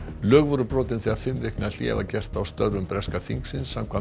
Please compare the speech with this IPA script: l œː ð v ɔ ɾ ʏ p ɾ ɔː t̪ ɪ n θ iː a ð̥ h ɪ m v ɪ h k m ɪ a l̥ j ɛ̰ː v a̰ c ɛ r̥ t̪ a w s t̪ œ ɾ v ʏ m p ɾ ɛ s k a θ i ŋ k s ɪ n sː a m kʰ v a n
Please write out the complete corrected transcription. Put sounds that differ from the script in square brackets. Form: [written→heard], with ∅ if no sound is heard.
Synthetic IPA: l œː [ð→ɣ] v ɔ ɾ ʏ p ɾ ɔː t̪ ɪ n θ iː a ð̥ [h→f] ɪ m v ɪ h k [m→n] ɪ a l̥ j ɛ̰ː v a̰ c ɛ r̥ t̪ a w s t̪ œ ɾ v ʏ m p ɾ ɛ s k a θ i ŋ k s ɪ n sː a m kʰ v a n